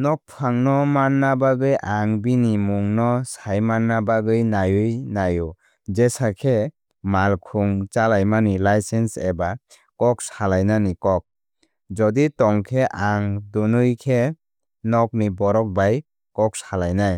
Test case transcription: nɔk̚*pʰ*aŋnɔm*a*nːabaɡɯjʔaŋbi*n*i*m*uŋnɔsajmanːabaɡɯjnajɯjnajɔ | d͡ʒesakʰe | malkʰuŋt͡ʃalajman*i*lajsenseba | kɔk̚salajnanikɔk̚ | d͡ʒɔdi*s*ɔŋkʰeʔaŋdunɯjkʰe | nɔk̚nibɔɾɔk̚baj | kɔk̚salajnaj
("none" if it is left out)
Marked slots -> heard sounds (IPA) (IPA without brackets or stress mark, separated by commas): pʰ, a, n, m, i, t